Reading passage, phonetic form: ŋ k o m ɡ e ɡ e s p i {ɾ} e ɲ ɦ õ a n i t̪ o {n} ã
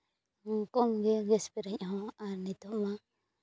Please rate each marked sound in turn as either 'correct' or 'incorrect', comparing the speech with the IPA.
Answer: correct, incorrect: m

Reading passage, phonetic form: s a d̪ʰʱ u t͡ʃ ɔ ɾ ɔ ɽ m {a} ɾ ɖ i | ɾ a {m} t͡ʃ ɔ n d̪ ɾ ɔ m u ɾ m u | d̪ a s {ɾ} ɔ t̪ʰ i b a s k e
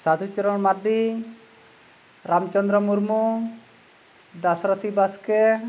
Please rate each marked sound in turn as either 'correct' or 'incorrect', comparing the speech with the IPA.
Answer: correct, correct, correct

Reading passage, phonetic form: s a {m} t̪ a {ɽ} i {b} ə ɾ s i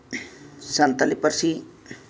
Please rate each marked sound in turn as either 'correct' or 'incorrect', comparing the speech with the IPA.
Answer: incorrect: n, incorrect: l, incorrect: p

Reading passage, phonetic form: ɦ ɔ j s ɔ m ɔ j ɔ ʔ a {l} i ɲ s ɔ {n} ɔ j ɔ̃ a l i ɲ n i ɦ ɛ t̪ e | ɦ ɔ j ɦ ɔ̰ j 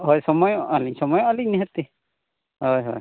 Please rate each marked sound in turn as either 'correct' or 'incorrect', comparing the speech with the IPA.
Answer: correct, incorrect: m

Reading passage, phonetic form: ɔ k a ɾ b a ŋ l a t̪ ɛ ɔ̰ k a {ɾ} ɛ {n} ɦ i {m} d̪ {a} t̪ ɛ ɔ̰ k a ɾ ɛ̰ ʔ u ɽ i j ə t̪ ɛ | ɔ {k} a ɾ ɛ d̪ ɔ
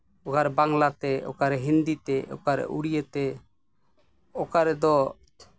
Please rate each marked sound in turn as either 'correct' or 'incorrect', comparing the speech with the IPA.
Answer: correct, incorrect: none, incorrect: n, incorrect: i, correct

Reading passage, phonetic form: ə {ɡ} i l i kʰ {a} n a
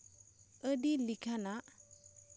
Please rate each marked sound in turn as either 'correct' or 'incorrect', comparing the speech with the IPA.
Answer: incorrect: d, correct

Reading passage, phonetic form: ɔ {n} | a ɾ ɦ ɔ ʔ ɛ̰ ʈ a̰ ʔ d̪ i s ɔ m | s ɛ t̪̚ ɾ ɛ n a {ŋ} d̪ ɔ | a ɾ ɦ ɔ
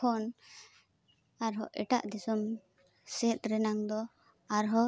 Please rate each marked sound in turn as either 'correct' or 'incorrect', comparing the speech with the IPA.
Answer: correct, correct

